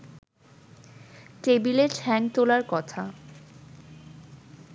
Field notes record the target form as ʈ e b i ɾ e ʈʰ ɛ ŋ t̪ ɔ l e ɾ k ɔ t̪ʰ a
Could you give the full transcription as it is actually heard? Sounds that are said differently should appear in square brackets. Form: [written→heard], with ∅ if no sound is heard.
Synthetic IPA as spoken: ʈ e b i [ɾ→l] e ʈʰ ɛ ŋ t̪ [ɔ→o] l [e→a] ɾ k ɔ t̪ʰ a